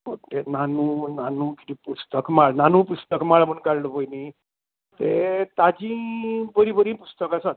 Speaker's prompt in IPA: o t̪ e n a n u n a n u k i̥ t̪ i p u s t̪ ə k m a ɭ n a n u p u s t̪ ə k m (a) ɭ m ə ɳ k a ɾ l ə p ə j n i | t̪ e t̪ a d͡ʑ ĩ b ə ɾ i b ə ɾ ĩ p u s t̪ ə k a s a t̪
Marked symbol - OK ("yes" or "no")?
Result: yes